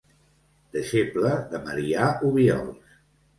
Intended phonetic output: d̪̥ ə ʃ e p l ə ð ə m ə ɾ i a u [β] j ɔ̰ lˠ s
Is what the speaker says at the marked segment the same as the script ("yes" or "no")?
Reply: yes